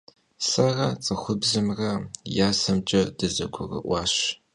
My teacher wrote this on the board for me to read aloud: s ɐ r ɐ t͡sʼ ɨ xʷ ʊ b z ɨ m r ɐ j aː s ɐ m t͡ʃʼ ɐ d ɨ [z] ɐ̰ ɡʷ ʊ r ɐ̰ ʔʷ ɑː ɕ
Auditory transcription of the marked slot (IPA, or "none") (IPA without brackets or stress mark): z